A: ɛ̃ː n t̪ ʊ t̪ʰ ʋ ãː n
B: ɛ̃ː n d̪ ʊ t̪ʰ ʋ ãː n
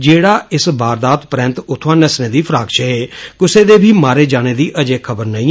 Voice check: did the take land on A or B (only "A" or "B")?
A